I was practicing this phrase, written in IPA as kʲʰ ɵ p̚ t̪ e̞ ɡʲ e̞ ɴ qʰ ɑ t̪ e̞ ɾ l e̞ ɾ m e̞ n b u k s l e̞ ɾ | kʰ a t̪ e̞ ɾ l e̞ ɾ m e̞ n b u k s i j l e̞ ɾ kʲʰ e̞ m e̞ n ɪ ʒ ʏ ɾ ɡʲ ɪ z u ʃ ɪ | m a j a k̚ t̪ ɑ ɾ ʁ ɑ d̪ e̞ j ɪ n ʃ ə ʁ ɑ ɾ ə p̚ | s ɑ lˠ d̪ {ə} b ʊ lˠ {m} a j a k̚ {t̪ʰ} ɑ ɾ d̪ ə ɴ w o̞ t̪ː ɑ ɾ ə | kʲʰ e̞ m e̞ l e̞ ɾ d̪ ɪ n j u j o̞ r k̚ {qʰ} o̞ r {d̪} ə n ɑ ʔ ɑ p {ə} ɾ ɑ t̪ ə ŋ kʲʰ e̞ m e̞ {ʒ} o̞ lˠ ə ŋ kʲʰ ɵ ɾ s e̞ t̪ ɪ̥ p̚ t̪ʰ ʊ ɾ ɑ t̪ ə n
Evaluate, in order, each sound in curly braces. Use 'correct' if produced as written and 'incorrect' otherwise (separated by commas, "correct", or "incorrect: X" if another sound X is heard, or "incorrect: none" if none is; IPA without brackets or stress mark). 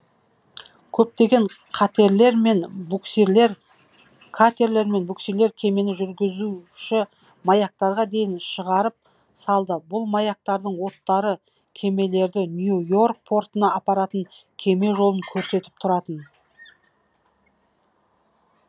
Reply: correct, correct, incorrect: t̪, incorrect: pʰ, incorrect: t̪, incorrect: ɑ, correct